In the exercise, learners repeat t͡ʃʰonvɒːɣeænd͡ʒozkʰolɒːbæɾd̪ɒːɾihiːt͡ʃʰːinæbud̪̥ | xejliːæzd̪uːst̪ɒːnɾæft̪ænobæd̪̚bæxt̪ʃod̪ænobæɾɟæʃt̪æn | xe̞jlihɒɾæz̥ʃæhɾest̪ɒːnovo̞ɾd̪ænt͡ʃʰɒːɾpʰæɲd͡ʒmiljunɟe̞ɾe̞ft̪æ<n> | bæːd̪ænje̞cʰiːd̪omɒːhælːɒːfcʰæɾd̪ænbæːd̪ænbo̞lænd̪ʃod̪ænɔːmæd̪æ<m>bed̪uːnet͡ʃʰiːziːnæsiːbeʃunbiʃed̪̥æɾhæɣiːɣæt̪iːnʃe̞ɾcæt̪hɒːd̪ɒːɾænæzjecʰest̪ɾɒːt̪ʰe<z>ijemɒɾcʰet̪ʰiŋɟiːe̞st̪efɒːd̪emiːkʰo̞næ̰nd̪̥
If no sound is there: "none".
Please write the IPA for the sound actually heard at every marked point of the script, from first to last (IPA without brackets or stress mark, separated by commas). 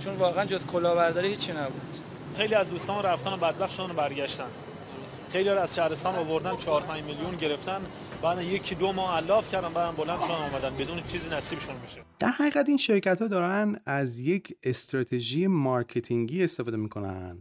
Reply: n, n, ʒ